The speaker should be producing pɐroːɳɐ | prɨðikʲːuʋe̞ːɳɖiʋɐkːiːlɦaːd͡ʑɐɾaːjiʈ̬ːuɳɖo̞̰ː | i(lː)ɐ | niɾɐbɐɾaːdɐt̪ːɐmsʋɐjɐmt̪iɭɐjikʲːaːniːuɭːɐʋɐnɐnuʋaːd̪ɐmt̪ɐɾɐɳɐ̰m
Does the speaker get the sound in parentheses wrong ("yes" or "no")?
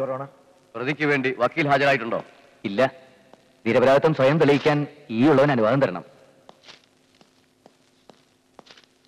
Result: no